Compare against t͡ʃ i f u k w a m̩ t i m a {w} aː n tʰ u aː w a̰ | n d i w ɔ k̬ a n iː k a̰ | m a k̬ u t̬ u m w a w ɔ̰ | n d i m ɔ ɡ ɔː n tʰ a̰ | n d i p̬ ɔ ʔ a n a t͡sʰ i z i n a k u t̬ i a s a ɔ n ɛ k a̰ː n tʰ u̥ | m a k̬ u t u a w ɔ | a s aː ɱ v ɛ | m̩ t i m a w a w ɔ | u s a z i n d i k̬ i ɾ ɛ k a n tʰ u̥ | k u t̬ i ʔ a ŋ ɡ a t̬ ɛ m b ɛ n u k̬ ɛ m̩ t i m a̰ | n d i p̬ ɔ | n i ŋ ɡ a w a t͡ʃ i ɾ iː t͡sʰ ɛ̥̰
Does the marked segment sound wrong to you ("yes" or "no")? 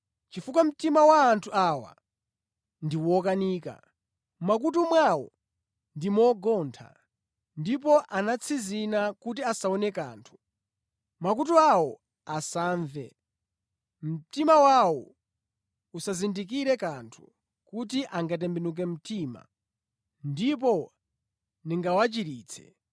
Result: no